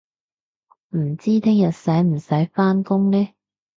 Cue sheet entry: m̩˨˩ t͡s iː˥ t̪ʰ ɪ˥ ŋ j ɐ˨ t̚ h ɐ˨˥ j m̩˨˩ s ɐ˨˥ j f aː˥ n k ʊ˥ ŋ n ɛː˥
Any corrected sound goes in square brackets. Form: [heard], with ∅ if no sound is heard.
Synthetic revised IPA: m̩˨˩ t͡s iː˥ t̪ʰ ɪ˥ ŋ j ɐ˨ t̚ [s] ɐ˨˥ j m̩˨˩ s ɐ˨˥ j f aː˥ n k ʊ˥ ŋ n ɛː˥